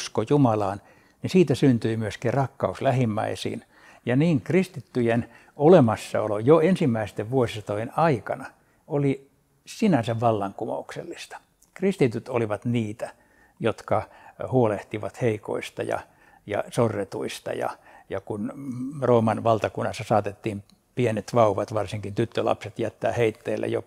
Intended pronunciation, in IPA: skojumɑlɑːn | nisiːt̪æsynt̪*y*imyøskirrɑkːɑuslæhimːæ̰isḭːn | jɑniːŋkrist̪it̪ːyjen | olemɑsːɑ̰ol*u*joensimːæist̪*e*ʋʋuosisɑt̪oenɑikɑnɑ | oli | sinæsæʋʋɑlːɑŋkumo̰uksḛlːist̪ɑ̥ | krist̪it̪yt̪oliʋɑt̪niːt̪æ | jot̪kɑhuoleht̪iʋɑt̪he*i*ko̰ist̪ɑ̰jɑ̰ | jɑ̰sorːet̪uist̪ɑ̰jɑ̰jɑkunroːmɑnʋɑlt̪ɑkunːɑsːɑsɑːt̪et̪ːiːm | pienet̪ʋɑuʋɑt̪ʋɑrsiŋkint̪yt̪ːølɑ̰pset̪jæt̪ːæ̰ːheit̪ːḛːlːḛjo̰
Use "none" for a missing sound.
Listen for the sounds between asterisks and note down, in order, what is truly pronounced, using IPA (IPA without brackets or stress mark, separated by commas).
y, o, e, i